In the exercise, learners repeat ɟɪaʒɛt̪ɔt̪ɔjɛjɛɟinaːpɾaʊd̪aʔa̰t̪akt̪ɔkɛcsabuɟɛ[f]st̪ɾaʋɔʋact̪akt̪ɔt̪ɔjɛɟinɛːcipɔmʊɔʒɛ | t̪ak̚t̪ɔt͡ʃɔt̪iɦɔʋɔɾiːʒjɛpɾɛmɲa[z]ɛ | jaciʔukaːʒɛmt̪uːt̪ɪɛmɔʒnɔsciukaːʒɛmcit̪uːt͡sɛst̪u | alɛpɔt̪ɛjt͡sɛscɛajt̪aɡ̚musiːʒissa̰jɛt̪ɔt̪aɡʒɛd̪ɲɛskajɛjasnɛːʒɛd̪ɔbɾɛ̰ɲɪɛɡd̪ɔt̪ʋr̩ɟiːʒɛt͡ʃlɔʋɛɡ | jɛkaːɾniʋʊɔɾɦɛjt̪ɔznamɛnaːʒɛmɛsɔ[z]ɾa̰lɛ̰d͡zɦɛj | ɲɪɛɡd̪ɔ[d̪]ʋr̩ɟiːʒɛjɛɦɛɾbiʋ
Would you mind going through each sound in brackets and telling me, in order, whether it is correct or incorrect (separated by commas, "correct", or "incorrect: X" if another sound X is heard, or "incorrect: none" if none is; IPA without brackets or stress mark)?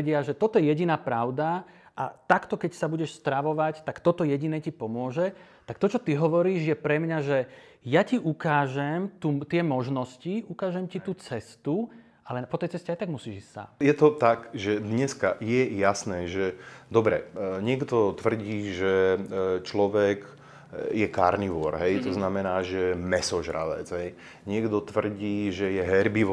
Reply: incorrect: ʃ, incorrect: ʒ, incorrect: ʒ, incorrect: t̪